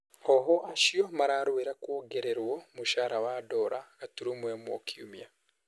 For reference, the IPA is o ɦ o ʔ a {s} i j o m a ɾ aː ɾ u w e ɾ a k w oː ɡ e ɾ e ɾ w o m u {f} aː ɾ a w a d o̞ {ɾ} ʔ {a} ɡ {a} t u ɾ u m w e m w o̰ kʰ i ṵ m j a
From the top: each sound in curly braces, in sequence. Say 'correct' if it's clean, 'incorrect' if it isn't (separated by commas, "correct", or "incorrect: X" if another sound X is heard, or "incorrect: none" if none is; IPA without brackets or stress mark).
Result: incorrect: ʃ, incorrect: ʃ, correct, correct, correct